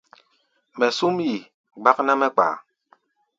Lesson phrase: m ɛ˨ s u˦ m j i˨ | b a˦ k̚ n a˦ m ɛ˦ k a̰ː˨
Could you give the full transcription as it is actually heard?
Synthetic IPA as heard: m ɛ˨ s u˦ m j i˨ | ɡ͡b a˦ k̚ n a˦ m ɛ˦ k͡p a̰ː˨